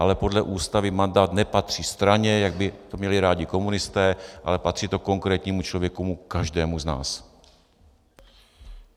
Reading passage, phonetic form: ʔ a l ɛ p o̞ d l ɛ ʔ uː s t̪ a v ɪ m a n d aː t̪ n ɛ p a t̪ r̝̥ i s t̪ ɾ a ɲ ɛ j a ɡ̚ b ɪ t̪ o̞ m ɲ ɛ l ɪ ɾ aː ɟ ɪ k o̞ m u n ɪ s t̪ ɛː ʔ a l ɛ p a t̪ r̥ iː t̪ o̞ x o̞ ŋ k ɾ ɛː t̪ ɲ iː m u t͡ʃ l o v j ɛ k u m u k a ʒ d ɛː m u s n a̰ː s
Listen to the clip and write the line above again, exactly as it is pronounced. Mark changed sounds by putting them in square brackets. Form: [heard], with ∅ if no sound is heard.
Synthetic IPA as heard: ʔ a l ɛ p o̞ d l ɛ ʔ uː s t̪ a v ɪ m a n d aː t̪ n ɛ p a t̪ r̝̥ i s t̪ ɾ a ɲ ɛ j a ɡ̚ b ɪ t̪ o̞ m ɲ ɛ l ɪ ɾ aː ɟ ɪ k o̞ m u n ɪ s t̪ ɛː ʔ a l ɛ p a t̪ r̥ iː t̪ o̞ [k] o̞ ŋ k ɾ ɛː t̪ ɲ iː m u t͡ʃ l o v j ɛ k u m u k a ʒ d ɛː m u [z] n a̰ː s